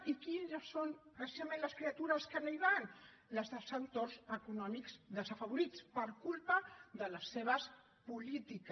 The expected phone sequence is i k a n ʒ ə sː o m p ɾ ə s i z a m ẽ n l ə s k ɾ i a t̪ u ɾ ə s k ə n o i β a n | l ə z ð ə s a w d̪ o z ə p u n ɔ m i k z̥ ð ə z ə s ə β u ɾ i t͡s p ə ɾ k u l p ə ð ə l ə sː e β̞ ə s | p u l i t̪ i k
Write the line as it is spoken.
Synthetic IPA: i k i n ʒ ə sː o n p ɾ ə s i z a m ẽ n l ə s k ɾ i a t̪ u ɾ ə s k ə n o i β a n | l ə z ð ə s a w t̪ o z ə k u n ɔ m i k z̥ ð ə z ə f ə β u ɾ i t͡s p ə ɾ k u l p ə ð ə l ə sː e β̞ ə s | p u l i t̪ i k